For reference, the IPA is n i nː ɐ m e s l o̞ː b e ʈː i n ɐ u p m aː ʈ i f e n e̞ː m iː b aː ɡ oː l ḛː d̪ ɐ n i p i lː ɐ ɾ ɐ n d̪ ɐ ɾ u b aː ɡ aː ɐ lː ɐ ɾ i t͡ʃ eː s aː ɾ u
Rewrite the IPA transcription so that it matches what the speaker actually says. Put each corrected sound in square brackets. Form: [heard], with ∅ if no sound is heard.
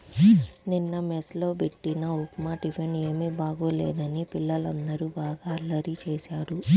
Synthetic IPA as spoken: n i nː ɐ m e s l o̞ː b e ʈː i n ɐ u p m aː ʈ i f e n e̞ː m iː b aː ɡ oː l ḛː d̪ ɐ n i p i lː ɐ [l] ɐ n d̪ ɐ ɾ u b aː ɡ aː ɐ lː ɐ ɾ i t͡ʃ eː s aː ɾ u